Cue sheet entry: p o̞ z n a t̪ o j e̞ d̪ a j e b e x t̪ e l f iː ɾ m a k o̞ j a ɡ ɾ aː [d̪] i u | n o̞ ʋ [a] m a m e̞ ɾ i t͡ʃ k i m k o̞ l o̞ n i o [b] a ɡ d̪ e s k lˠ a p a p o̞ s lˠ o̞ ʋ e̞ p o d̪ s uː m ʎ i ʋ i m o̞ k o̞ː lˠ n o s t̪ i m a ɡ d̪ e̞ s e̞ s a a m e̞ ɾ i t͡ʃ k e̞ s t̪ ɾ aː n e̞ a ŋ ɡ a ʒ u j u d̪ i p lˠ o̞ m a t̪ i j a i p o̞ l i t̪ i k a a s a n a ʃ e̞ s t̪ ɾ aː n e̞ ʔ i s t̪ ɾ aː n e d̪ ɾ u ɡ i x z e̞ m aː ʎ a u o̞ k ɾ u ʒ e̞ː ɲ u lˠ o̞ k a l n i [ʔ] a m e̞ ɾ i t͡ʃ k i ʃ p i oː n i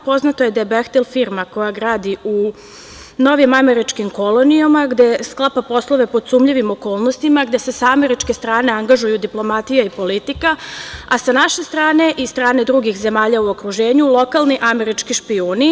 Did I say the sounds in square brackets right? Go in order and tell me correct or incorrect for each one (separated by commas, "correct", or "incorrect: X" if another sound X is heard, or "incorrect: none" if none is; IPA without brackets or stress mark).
correct, incorrect: i, incorrect: m, correct